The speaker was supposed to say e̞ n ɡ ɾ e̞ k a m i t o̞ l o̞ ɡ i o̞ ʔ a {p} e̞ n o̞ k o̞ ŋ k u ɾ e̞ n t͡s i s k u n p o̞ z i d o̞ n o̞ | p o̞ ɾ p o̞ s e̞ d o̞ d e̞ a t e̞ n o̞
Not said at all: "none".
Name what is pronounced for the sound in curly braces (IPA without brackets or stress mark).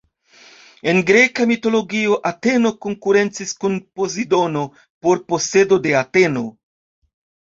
t